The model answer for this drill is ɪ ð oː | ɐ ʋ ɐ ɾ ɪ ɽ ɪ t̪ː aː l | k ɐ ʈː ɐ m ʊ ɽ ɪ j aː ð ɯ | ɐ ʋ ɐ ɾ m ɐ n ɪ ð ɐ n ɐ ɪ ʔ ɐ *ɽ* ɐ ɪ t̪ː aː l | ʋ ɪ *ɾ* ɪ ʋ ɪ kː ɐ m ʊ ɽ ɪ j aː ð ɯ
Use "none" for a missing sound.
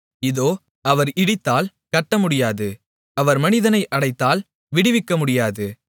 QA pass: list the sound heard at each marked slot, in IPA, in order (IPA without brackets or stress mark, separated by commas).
ɽ, ɽ